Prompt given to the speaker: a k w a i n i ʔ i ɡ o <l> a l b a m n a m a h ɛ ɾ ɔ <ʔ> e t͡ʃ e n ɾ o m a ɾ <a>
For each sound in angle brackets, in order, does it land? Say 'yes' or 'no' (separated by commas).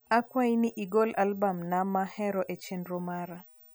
yes, yes, yes